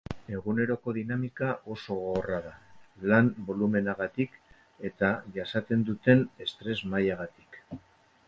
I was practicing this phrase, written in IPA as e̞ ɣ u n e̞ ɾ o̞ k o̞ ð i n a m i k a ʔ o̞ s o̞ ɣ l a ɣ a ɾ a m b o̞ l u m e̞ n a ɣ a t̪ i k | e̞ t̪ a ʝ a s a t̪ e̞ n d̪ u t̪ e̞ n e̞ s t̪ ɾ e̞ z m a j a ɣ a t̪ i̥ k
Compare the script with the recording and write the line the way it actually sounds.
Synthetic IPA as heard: e̞ ɣ u n e̞ ɾ o̞ k o̞ ð i n a m i k a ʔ o̞ s o̞ ɣ r a ð a l a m b o̞ l u m e̞ n a ɣ a t̪ i k | e̞ t̪ a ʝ a s a t̪ e̞ n d̪ u t̪ e̞ n e̞ s t̪ ɾ e̞ z m a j a ɣ a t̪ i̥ k